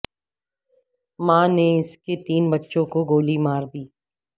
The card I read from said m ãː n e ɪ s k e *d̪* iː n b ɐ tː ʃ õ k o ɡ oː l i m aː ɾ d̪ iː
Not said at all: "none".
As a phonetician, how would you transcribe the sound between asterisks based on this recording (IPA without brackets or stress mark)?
t̪